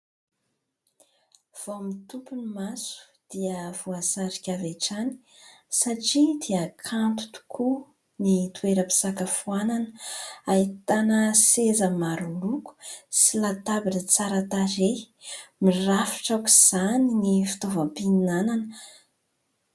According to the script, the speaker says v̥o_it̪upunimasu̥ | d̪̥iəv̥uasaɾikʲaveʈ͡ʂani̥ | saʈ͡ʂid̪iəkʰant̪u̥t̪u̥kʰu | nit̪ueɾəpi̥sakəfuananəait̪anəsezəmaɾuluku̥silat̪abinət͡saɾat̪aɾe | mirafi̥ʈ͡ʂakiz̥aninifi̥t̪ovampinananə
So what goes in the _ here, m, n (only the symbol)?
m